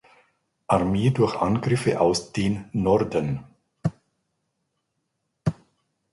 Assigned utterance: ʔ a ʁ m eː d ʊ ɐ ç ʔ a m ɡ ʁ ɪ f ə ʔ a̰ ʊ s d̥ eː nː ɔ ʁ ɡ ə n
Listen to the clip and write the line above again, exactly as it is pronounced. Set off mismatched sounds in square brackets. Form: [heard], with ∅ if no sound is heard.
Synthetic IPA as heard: ʔ a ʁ m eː d ʊ ɐ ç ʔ a [n] ɡ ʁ ɪ f ə ʔ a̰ ʊ s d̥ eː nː ɔ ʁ [d] ə n